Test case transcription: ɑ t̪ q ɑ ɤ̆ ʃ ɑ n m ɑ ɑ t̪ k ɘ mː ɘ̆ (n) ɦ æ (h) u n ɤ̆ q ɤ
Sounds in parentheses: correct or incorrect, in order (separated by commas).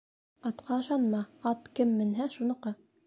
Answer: correct, incorrect